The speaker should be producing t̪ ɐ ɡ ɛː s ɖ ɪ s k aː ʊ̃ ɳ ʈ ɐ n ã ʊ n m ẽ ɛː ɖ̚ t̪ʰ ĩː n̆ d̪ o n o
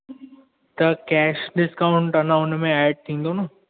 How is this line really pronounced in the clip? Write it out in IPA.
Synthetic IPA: t̪ ɐ k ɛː ʃ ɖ ɪ s k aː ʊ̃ ɳ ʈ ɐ n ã ʊ n m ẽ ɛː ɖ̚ t̪ʰ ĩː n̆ d̪ o n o